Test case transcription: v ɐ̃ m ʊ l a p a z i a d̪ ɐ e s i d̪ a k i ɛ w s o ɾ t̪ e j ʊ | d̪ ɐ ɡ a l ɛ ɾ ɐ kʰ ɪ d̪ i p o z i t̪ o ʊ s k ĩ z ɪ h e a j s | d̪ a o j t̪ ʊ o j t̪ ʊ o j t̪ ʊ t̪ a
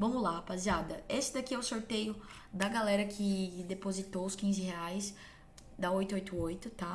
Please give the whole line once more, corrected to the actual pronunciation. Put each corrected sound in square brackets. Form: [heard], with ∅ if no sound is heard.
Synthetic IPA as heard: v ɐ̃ m ʊ l a p a z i a d̪ ɐ e s [ɪ] d̪ a k i ɛ w s o ɾ t̪ e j ʊ | d̪ ɐ ɡ a l ɛ ɾ ɐ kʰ ɪ d̪ [e] p o z i t̪ o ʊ s k ĩ z ɪ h e a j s | d̪ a o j t̪ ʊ o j t̪ ʊ o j t̪ ʊ t̪ a